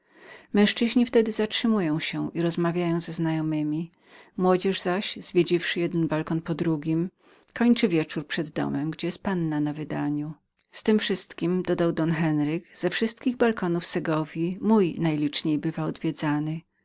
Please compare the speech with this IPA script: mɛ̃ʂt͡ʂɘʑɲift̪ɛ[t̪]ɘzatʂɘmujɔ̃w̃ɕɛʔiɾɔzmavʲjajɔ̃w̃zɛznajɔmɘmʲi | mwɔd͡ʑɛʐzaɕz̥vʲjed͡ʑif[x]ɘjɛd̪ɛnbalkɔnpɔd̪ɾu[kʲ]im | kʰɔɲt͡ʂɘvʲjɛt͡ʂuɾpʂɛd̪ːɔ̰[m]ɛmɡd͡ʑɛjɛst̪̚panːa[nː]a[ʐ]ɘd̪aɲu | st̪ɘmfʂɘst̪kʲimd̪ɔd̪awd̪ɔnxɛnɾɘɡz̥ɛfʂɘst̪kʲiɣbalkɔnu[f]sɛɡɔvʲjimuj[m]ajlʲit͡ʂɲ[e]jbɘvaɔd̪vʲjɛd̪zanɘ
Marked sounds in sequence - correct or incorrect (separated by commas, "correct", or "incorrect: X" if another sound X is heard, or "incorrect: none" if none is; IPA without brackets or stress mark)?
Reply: incorrect: d̪, incorrect: ʂ, incorrect: ɡʲ, correct, incorrect: n, incorrect: v, correct, incorrect: n, correct